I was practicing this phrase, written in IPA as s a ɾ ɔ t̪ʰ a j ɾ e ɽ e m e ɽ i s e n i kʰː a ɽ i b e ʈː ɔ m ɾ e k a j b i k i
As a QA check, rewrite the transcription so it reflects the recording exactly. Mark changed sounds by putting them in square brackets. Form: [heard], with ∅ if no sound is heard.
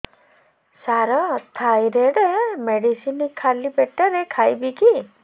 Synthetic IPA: s a ɾ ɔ t̪ʰ a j ɾ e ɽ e m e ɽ i s [i] n i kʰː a [l] i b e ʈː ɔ [∅] ɾ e [kʰ] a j b i k i